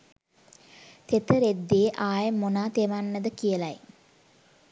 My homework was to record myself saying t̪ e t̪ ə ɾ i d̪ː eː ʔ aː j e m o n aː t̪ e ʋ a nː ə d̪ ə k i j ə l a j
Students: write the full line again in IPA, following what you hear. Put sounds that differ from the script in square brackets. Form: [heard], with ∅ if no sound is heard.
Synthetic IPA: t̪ e t̪ ə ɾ [e] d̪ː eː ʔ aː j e m o n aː t̪ e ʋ a nː ə d̪ ə k i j ə l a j